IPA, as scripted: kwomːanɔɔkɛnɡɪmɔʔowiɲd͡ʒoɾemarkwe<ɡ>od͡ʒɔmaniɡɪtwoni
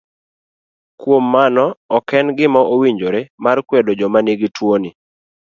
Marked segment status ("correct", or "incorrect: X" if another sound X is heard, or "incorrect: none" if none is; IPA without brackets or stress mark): incorrect: d